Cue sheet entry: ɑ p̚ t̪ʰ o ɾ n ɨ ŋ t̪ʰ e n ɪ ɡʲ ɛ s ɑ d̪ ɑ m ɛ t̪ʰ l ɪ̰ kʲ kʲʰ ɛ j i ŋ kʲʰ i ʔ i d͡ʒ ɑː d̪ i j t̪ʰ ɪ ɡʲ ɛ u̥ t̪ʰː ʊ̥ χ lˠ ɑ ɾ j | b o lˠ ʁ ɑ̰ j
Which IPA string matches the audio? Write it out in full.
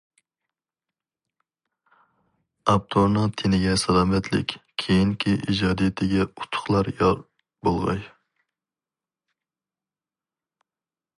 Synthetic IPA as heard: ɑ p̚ t̪ʰ o ɾ n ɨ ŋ t̪ʰ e n ɪ ɡʲ ɛ s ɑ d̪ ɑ m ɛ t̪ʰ l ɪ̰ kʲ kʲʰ e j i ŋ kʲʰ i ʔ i d͡ʒ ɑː d̪ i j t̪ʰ ɪ ɡʲ ɛ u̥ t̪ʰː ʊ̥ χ lˠ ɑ ɾ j | b o lˠ ʁ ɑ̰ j